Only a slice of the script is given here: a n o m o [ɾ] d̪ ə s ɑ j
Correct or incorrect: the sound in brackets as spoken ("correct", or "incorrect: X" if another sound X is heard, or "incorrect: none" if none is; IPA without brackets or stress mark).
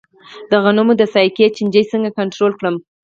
incorrect: none